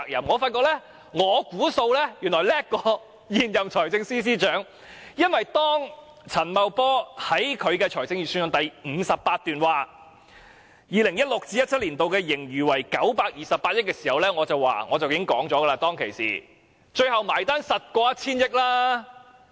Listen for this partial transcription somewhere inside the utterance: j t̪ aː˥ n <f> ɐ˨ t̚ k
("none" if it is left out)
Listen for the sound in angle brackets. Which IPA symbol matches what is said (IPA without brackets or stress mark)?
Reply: s